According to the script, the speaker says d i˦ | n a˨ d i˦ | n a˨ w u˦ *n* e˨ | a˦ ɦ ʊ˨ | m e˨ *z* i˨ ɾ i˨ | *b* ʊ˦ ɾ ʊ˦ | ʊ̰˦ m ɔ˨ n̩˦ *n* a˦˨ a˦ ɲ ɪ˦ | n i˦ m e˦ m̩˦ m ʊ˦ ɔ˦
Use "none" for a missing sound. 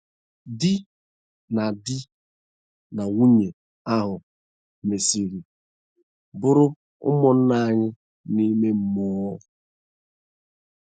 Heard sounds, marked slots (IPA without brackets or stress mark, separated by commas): ɲ, s, b, n